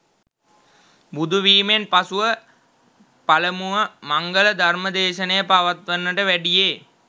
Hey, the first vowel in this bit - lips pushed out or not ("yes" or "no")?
yes